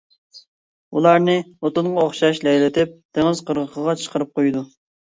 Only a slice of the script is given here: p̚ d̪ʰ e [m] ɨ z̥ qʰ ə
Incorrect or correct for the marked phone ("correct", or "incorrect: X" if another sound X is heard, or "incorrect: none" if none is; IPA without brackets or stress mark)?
incorrect: ŋ